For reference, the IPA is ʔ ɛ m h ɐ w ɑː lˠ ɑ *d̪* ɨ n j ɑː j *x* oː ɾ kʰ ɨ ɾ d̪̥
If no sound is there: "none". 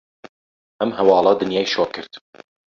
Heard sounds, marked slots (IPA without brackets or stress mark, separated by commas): d̪, ʃ